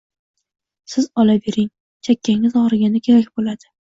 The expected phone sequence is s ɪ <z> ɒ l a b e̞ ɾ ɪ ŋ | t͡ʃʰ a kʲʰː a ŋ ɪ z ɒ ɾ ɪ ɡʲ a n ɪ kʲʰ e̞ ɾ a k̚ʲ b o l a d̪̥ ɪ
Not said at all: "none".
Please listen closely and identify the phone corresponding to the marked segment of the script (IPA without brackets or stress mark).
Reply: z